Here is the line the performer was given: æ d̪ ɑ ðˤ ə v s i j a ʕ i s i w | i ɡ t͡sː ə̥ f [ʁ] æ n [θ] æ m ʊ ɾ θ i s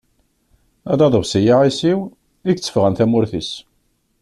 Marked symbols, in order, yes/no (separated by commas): yes, yes